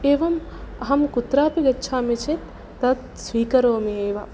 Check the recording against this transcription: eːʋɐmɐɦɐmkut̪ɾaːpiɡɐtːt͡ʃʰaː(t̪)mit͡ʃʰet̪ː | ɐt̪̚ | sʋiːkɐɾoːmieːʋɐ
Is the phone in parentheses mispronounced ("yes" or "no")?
yes